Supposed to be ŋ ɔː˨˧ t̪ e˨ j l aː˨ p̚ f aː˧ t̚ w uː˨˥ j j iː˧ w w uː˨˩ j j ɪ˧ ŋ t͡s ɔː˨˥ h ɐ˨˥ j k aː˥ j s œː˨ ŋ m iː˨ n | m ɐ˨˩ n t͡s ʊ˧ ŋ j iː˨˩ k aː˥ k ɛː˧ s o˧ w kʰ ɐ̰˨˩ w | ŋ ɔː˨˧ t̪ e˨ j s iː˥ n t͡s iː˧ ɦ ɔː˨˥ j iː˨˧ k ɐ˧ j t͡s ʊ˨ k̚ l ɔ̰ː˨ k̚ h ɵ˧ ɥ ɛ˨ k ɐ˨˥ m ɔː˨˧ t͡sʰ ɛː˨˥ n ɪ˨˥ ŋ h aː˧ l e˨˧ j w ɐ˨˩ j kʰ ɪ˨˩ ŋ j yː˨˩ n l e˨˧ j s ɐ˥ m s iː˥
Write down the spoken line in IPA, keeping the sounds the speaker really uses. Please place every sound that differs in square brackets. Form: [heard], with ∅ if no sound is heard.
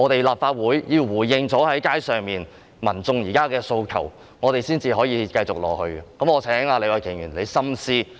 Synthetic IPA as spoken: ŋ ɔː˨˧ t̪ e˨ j l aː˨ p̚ f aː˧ t̚ w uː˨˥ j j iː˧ w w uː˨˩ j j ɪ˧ ŋ t͡s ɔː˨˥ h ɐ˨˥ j k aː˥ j s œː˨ ŋ m iː˨ n | m ɐ˨˩ n t͡s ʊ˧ ŋ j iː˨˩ k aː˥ k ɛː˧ s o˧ w kʰ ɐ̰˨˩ w | ŋ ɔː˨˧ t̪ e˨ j s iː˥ n t͡s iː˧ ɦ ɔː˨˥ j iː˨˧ k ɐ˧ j t͡s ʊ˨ k̚ l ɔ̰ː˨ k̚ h ɵ˧ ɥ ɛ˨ k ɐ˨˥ m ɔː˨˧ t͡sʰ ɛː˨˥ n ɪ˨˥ ŋ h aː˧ l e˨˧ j w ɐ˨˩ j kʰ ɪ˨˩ ŋ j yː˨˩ n l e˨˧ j s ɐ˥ m s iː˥